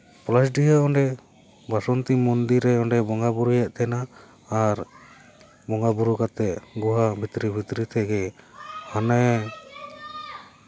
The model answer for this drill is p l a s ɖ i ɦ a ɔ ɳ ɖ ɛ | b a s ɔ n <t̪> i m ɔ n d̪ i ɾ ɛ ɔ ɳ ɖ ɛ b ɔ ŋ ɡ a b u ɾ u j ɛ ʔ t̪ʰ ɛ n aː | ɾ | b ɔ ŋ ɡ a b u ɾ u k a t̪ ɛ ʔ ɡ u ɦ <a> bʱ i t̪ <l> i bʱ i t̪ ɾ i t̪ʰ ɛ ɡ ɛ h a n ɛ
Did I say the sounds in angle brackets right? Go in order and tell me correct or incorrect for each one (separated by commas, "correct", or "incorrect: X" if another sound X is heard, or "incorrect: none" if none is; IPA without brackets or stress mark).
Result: correct, correct, incorrect: ɾ